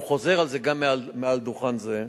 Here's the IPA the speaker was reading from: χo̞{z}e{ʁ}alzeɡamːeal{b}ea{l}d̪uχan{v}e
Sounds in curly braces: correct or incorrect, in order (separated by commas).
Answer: correct, correct, incorrect, correct, incorrect